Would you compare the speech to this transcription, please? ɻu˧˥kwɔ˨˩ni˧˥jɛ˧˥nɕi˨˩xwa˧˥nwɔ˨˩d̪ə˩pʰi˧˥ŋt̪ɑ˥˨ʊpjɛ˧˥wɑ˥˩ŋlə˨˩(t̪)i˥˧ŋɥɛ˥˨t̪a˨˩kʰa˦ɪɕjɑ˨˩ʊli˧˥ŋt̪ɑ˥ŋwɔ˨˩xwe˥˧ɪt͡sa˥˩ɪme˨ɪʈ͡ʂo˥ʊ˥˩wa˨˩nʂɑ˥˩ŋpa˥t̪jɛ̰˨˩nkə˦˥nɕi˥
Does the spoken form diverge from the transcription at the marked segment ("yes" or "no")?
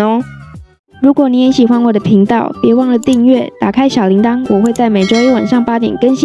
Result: no